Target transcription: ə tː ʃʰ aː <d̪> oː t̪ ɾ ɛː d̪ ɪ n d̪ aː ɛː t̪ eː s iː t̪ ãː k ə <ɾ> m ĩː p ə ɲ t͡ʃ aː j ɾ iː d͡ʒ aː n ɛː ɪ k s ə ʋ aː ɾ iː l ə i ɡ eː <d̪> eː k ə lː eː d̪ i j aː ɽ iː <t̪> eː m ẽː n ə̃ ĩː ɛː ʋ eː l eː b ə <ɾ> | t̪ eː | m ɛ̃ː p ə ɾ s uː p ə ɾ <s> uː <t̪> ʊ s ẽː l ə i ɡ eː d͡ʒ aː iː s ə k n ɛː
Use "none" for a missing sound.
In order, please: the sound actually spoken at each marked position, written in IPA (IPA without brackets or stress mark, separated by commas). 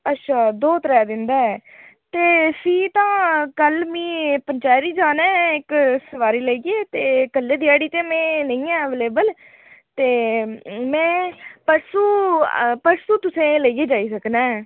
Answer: d̪, l, t̪, t̪, l, s, t̪